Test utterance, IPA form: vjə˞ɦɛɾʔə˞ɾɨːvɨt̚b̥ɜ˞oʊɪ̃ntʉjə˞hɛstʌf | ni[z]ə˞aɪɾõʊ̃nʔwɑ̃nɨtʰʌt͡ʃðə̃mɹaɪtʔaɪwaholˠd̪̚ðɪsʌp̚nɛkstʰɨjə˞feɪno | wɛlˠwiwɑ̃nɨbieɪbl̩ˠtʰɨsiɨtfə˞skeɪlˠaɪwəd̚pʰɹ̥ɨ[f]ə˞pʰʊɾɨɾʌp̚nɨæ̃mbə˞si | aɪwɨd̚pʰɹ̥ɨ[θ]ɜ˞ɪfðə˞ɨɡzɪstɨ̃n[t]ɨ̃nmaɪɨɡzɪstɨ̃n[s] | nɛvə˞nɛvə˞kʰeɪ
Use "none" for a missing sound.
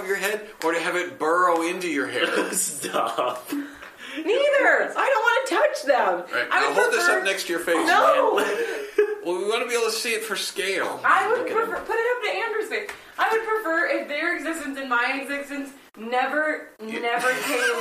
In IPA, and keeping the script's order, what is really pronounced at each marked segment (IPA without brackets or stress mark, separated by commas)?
ð, f, f, s, s